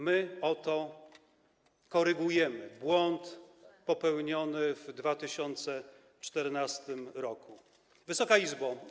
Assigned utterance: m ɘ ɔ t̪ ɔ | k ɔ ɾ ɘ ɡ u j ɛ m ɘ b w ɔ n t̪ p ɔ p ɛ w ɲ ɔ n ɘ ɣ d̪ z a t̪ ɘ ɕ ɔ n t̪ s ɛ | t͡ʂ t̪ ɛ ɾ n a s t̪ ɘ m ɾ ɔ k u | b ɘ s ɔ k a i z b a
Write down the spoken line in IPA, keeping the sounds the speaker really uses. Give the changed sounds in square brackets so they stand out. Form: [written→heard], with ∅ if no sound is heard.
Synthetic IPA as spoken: m ɘ ɔ t̪ ɔ | k ɔ ɾ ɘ ɡ u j ɛ m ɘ b w ɔ n t̪ p ɔ p ɛ w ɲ ɔ n ɘ [ɣ→v] d̪ [z→v] a t̪ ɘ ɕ ɔ n t̪ s ɛ | t͡ʂ t̪ ɛ ɾ n a s t̪ ɘ m ɾ ɔ k u | [b→v] ɘ s ɔ k a i z b a